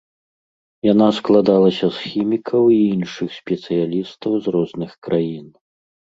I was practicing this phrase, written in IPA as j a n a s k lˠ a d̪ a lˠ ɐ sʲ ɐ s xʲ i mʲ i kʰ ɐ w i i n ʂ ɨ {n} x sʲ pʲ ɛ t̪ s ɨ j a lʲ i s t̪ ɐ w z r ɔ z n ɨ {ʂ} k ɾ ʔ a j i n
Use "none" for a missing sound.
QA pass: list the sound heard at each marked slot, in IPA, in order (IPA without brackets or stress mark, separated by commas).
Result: none, x